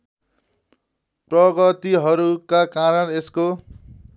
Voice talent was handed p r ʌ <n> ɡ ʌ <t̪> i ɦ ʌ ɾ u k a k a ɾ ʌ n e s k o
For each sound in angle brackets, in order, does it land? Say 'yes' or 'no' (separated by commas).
no, yes